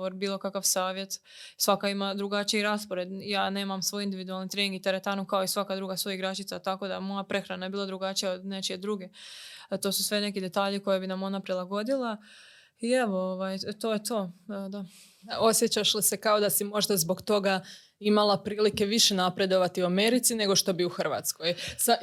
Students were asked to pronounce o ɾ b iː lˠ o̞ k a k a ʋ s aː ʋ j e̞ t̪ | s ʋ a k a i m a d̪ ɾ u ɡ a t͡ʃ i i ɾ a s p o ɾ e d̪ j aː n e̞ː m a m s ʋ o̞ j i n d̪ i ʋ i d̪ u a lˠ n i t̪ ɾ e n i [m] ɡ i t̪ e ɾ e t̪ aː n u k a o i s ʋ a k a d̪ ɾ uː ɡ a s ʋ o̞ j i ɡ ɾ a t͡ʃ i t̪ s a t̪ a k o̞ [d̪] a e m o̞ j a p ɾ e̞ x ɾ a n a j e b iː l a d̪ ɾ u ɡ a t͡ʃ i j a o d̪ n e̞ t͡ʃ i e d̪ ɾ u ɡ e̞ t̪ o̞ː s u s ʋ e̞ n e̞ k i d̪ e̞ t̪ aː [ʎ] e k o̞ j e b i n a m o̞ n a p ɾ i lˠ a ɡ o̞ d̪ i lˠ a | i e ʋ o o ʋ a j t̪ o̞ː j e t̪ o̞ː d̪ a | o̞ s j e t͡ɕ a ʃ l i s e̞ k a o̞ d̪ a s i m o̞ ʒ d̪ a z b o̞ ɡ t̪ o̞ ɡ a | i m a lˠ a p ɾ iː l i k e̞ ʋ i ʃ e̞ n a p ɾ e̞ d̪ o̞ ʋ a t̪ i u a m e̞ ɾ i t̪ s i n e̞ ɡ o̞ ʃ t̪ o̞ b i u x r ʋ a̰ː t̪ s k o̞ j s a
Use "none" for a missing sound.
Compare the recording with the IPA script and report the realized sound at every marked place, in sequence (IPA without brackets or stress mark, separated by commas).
ŋ, d̪, ʎ